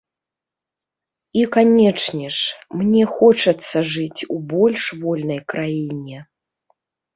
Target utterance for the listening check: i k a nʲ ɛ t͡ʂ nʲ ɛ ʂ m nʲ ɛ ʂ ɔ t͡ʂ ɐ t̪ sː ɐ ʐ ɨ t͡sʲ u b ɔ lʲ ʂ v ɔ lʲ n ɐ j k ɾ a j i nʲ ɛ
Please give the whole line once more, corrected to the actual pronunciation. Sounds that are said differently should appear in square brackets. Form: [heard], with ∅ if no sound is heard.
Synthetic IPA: i k a nʲ ɛ t͡ʂ nʲ ɛ ʂ m nʲ ɛ [x] ɔ t͡ʂ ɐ t̪ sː ɐ ʐ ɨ t͡sʲ u b ɔ lʲ ʂ v ɔ lʲ n ɐ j k ɾ a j i nʲ ɛ